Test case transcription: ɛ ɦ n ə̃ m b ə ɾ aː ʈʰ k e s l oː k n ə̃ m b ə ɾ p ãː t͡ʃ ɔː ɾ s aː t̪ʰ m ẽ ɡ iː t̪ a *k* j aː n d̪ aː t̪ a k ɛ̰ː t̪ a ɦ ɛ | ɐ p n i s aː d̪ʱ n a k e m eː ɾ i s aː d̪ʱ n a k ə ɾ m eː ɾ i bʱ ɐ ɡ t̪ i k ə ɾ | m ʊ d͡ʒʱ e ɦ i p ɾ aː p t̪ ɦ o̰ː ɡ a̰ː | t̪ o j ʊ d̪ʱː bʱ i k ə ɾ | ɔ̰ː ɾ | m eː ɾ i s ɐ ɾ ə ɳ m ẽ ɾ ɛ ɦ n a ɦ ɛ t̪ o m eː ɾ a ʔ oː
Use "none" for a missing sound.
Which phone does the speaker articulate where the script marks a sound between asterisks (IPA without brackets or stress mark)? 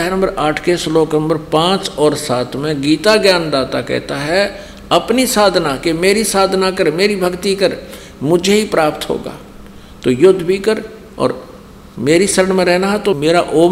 ɡ